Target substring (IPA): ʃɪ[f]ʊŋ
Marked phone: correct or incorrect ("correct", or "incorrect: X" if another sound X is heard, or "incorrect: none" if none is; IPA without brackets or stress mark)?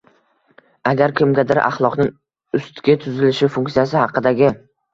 correct